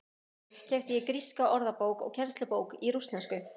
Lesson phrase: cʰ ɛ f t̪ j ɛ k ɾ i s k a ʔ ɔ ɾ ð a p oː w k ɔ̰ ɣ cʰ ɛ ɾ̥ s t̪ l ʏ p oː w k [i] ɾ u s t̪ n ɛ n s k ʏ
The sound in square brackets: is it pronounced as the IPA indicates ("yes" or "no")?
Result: yes